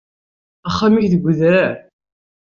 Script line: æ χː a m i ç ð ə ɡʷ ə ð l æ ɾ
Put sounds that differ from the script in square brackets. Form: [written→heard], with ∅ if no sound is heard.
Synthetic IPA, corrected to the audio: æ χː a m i ç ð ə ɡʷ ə ð [l→ɾ] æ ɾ

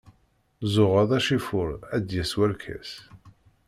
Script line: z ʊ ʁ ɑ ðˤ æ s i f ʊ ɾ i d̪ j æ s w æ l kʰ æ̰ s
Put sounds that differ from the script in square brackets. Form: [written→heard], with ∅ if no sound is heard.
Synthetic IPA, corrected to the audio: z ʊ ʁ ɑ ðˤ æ [s→ʃ] i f ʊ ɾ [i→æ] d̪ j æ s w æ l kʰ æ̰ s

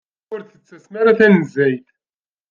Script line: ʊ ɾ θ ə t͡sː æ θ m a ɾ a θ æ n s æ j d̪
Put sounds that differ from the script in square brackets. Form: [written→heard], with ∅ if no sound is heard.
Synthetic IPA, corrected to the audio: ʊ ɾ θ ə t͡sː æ [θ→s] m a ɾ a θ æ n [s→z] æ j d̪

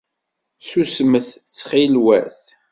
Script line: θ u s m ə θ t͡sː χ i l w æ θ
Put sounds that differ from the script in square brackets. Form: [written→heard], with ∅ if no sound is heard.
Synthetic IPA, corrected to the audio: [θ→s] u s m ə θ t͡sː χ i l w æ θ

